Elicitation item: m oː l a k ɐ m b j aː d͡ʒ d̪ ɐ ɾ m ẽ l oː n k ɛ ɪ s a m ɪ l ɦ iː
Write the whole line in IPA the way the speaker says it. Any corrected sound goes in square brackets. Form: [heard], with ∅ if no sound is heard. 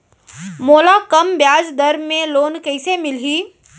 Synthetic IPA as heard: m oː l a k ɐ m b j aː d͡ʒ d̪ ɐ ɾ m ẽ l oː n k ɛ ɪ s [e] m ɪ l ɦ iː